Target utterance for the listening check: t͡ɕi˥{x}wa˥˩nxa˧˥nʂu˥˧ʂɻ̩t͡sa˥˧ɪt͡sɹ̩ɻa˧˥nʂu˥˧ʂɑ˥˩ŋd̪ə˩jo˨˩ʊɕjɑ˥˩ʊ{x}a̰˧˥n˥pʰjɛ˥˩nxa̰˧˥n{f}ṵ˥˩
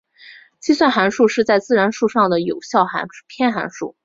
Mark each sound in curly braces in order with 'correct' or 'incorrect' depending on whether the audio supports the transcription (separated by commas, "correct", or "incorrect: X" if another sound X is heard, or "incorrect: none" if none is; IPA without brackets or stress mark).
incorrect: s, correct, incorrect: ʂ